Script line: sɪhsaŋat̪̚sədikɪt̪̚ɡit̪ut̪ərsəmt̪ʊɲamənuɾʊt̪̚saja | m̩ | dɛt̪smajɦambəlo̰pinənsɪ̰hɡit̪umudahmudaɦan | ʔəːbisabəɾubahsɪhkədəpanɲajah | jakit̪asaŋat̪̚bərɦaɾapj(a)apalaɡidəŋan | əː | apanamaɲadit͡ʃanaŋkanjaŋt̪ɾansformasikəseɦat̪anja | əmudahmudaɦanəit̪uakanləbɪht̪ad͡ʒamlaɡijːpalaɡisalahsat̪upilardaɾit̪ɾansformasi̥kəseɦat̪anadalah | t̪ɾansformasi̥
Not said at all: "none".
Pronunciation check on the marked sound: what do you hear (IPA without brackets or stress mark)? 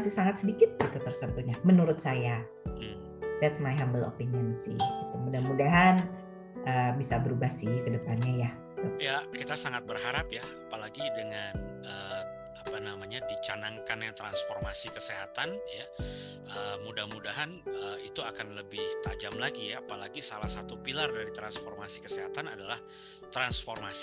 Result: a